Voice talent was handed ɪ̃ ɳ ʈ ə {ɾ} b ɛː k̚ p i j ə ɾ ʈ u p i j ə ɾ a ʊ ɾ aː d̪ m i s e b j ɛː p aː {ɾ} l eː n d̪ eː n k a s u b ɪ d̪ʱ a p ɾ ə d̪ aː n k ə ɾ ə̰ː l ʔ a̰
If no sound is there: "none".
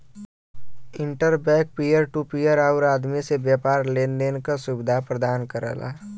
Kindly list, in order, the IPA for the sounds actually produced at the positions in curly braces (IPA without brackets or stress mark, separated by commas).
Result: ɾ, ɾ